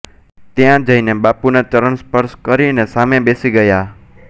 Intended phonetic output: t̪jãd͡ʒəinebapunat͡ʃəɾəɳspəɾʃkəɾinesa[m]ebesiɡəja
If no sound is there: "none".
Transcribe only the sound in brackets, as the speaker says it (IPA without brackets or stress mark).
m